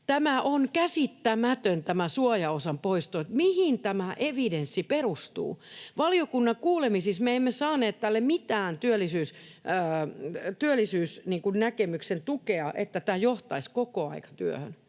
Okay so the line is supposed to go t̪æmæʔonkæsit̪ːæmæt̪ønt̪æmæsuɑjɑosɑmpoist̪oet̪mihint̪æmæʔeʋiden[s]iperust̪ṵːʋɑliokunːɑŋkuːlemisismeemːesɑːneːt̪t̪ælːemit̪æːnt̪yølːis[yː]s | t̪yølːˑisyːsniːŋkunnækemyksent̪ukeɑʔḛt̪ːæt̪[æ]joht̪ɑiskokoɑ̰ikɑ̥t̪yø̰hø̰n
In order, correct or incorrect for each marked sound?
incorrect: sː, correct, incorrect: æː

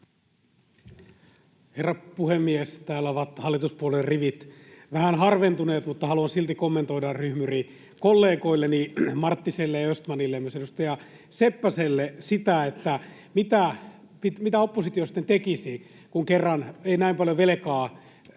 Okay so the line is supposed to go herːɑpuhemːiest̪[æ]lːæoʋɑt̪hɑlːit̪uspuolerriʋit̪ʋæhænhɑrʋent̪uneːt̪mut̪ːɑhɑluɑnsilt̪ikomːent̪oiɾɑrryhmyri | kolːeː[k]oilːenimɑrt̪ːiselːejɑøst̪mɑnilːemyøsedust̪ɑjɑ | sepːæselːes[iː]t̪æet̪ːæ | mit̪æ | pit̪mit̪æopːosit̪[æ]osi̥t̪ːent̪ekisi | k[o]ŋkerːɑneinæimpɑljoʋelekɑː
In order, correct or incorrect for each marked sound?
incorrect: æː, correct, incorrect: i, incorrect: i, incorrect: u

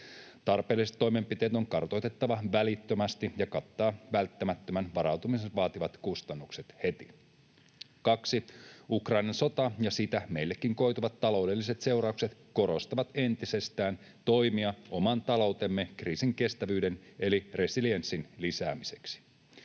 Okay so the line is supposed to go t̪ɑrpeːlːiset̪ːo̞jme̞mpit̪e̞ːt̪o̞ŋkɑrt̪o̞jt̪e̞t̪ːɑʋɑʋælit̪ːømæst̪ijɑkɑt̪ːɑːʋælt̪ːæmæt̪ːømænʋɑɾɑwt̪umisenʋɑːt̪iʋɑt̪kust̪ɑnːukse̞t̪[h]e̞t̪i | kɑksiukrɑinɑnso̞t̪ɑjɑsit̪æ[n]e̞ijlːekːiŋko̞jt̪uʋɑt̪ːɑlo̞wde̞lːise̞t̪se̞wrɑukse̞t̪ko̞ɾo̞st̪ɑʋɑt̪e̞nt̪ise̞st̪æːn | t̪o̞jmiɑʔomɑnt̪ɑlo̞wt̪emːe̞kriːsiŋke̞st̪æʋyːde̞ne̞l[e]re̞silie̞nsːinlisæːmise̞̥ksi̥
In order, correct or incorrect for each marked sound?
correct, incorrect: m, incorrect: i

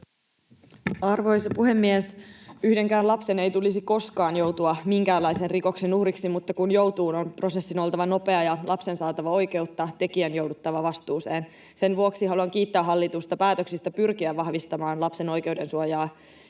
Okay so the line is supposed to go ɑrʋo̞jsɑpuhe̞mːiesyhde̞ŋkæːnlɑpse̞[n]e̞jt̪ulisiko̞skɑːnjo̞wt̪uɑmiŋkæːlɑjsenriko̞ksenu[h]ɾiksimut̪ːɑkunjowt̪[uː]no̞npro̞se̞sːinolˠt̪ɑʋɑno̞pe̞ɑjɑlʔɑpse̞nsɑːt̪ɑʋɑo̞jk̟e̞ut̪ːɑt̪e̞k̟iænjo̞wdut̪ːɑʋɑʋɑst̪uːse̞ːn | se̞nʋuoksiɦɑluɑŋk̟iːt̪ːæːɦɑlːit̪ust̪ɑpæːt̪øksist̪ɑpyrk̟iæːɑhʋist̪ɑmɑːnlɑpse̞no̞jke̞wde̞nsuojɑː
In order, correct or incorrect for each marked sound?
correct, correct, correct

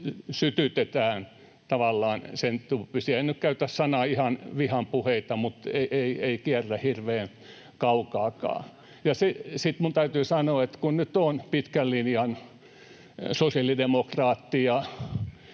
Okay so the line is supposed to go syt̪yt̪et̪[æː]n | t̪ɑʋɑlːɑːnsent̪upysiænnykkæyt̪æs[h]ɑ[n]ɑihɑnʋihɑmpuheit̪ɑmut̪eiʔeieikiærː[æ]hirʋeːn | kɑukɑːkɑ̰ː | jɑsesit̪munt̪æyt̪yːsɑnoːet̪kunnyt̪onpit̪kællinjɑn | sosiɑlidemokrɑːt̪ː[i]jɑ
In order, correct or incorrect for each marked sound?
correct, incorrect: s, correct, correct, correct

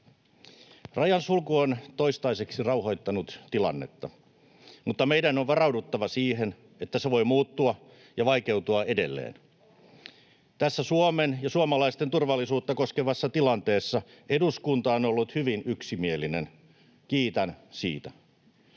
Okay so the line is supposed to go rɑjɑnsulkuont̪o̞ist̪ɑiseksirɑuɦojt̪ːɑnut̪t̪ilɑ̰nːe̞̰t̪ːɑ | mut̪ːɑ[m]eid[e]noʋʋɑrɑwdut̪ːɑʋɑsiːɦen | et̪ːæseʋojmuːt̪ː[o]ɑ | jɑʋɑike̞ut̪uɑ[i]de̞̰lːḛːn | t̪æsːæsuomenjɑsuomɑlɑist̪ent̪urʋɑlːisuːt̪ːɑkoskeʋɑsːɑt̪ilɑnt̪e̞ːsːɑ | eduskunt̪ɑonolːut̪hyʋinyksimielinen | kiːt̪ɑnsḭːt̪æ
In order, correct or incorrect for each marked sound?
correct, incorrect: æ, incorrect: u, incorrect: e

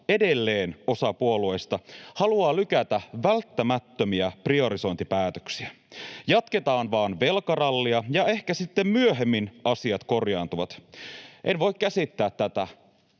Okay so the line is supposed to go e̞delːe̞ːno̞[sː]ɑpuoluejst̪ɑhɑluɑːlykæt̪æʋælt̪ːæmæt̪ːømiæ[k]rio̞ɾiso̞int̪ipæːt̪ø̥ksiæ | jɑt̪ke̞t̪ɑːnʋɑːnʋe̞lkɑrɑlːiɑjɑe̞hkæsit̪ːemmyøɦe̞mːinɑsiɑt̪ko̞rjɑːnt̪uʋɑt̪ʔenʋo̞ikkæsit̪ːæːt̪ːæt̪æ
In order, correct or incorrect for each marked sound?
incorrect: s, incorrect: p

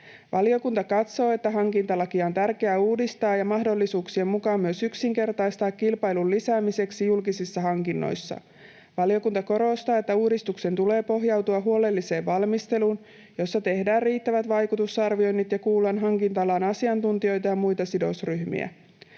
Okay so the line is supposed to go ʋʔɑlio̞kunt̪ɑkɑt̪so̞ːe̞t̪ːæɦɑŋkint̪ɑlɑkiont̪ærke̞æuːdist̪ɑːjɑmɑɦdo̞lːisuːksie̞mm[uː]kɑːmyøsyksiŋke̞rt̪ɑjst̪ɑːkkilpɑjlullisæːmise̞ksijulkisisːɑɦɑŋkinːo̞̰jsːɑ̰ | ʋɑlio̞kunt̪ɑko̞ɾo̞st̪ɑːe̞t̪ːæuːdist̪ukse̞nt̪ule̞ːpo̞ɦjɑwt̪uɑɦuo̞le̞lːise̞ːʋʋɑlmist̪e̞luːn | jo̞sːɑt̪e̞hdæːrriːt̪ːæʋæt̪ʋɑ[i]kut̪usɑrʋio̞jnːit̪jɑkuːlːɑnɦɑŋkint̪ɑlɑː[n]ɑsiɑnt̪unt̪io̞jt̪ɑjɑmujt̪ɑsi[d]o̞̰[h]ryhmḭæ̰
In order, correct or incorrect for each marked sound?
incorrect: u, incorrect: j, correct, correct, incorrect: s

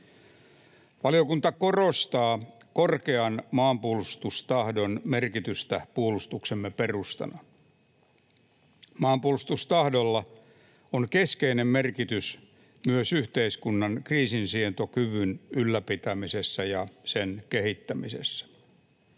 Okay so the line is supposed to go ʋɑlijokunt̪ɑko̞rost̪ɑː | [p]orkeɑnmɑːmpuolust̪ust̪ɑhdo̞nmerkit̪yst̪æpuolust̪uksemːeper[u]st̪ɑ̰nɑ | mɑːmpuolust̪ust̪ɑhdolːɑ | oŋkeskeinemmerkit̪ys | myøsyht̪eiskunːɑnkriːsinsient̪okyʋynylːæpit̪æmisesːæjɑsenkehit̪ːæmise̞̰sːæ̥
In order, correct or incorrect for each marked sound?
incorrect: k, correct

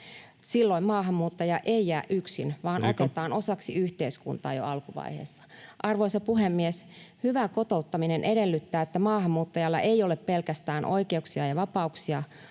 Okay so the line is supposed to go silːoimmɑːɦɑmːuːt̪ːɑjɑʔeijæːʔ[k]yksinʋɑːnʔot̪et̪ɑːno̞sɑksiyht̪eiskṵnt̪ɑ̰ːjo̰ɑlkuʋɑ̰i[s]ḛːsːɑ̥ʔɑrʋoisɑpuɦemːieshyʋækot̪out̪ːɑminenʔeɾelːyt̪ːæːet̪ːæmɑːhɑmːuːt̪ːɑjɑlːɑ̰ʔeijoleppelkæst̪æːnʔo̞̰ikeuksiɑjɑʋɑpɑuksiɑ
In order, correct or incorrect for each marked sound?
incorrect: ʔ, incorrect: h

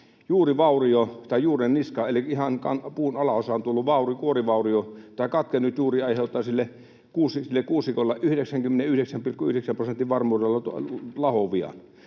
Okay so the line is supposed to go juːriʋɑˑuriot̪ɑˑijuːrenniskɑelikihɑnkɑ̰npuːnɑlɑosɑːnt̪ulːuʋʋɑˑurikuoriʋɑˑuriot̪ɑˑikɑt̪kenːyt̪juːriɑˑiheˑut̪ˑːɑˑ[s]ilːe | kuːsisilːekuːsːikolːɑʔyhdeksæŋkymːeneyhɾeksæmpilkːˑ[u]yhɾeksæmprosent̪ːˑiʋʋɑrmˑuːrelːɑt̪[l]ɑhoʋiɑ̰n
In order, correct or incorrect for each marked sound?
correct, correct, correct

